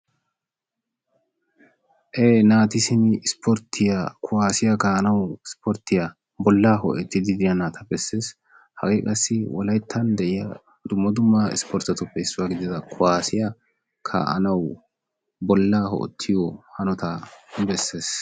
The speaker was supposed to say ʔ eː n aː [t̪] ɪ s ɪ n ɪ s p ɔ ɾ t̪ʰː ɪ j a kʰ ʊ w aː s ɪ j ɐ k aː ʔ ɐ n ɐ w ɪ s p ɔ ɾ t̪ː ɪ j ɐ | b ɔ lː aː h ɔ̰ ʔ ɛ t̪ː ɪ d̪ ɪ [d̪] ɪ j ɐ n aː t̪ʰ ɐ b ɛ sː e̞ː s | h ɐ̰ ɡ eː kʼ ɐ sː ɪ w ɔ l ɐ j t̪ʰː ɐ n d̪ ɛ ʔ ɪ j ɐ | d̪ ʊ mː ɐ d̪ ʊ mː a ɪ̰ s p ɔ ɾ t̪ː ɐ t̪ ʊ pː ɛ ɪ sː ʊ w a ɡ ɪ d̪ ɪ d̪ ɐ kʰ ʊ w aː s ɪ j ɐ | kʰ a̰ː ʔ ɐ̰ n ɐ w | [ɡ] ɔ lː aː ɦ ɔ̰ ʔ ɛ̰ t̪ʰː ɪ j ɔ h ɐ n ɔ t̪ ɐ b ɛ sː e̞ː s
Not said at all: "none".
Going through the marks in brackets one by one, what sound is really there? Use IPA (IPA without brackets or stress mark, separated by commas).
t̪, d̪, b